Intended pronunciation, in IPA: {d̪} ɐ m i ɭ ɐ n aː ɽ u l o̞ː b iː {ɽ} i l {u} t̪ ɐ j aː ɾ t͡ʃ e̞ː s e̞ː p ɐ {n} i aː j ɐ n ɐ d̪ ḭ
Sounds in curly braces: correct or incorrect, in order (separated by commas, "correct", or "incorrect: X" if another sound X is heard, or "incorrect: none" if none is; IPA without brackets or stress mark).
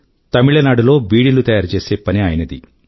incorrect: t̪, correct, correct, correct